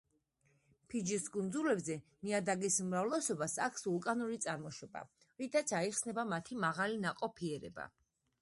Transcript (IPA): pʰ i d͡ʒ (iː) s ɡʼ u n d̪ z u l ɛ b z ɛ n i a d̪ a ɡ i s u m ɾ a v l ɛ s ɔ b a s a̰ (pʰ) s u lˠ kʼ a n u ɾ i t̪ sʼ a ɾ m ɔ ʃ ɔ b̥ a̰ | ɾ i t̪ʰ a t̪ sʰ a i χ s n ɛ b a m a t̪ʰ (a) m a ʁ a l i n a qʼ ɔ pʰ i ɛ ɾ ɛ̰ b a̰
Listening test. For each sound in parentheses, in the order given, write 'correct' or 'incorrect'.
incorrect, incorrect, incorrect

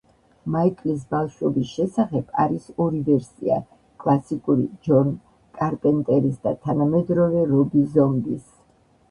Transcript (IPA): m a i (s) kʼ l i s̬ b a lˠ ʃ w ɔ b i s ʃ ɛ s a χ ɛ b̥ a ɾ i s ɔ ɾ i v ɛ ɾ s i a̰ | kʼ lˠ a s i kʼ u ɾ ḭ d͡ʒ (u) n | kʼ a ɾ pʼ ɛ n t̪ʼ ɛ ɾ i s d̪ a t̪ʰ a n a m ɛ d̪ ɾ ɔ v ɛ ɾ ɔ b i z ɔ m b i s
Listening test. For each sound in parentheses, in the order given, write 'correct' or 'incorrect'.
incorrect, incorrect

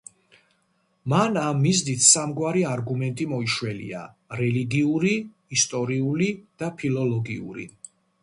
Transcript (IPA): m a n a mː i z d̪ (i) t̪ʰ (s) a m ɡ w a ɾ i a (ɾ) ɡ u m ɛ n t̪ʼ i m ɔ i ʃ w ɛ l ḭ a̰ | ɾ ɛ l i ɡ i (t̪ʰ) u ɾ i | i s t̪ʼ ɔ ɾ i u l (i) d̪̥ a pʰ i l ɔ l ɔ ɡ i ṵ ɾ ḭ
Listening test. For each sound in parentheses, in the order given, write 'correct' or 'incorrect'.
correct, correct, correct, incorrect, correct

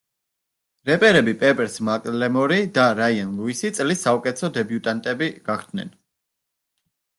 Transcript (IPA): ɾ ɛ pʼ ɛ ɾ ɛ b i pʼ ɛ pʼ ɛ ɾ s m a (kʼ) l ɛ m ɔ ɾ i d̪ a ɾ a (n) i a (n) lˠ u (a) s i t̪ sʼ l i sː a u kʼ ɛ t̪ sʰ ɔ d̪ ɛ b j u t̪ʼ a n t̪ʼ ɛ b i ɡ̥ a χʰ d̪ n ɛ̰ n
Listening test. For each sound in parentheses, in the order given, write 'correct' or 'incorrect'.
correct, incorrect, correct, incorrect

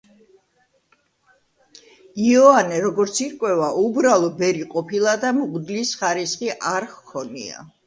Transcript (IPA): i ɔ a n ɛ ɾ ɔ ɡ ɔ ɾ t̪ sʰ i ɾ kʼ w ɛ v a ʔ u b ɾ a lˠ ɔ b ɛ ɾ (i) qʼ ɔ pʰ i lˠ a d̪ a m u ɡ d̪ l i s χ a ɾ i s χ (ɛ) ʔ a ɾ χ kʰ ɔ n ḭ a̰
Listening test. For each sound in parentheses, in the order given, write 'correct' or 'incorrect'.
correct, incorrect

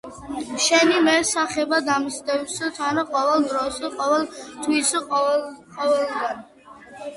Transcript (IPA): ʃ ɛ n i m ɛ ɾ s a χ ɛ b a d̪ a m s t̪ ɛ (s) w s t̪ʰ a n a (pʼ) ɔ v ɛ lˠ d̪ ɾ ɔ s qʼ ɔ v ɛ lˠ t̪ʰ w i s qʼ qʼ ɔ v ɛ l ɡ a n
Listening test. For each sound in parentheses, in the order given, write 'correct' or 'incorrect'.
incorrect, incorrect

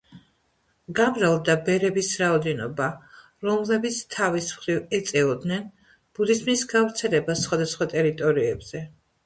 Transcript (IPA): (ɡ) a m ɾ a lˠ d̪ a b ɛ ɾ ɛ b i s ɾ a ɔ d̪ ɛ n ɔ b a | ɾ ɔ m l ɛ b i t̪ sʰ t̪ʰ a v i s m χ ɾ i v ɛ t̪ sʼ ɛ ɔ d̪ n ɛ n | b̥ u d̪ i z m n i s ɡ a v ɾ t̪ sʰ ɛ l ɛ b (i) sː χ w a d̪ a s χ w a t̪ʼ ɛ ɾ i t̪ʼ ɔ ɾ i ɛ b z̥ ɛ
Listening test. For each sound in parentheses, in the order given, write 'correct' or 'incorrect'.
correct, incorrect

